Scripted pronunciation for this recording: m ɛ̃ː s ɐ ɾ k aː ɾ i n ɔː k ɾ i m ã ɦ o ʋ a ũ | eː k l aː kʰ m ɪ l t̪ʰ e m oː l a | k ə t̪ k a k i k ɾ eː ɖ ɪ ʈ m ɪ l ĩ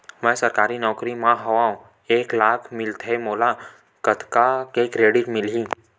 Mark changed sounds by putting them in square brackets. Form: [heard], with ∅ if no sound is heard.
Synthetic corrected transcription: m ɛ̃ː s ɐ ɾ k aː ɾ i n ɔː k ɾ i m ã ɦ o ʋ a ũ | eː k l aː kʰ m ɪ l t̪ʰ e m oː l a | k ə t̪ k a k [e] k ɾ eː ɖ ɪ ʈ m ɪ l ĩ